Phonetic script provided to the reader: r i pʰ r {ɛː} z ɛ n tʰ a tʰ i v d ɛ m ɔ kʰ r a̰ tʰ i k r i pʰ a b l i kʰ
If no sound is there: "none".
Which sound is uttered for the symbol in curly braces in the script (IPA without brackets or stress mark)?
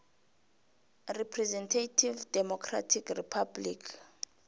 ɛ